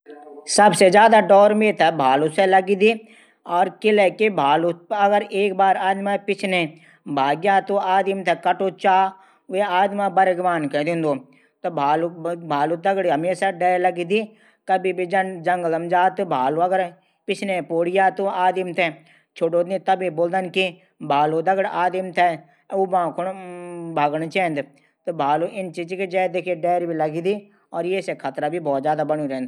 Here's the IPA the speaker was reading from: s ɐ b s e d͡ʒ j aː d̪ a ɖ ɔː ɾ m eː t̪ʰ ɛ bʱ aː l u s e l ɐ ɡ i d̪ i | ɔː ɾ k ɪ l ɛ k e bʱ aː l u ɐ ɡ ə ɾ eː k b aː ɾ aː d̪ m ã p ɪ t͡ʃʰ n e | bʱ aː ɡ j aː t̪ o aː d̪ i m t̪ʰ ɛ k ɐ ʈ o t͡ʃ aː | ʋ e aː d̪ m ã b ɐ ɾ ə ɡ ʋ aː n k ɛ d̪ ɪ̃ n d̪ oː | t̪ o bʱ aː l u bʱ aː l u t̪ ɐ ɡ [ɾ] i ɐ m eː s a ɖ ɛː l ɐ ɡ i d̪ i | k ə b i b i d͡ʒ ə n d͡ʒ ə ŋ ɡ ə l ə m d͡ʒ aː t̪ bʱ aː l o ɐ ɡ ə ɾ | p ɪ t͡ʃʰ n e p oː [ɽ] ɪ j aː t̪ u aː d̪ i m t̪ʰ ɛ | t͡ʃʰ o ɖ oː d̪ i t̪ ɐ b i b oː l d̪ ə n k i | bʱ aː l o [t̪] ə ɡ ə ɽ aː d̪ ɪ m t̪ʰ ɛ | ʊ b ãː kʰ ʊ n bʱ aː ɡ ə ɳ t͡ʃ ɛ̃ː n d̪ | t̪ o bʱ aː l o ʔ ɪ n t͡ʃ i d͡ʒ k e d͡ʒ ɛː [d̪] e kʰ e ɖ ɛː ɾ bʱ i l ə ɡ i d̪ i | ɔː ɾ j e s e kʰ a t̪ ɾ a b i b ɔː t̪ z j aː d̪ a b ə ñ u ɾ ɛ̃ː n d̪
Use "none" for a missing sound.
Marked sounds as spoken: ɽ, ɽ, d̪, d̪

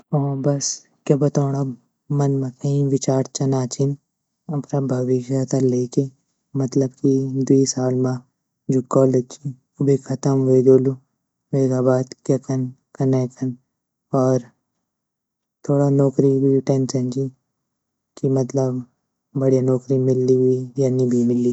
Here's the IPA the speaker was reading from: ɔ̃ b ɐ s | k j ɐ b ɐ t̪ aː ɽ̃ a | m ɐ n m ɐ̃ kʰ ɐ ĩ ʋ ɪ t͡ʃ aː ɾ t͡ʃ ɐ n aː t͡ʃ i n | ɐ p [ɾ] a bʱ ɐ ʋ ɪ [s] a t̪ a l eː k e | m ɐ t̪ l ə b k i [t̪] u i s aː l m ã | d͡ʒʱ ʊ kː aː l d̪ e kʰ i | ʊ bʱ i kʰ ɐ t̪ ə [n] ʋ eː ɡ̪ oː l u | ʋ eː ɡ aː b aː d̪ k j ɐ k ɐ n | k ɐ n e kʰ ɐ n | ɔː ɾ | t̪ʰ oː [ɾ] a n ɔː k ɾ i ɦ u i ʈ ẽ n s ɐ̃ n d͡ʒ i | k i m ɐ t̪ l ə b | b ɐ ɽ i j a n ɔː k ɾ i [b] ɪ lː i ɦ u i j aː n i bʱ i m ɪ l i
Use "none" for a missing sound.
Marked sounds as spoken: ɾ, ʃ, d̪, m, ɽ, m

